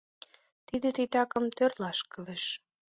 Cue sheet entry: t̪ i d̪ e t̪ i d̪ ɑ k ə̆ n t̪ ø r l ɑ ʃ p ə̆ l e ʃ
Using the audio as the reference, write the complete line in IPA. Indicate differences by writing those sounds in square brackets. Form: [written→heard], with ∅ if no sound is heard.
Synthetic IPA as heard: t̪ i d̪ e t̪ i [d̪→t̪] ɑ k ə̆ [n→m] t̪ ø r l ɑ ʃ [p→k] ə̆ l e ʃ